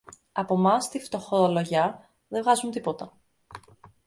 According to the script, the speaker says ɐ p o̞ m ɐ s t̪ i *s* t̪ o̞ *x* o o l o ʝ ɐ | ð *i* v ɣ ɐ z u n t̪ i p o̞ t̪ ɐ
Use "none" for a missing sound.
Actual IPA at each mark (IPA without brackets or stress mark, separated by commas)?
f, x, e